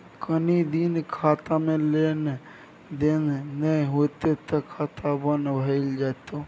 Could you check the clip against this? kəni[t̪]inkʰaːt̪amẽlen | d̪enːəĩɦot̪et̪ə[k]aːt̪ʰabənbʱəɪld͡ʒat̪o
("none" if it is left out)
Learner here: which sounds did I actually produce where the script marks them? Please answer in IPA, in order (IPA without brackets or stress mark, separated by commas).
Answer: d̪, kʰ